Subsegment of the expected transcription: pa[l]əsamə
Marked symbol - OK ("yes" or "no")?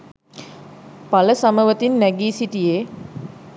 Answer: yes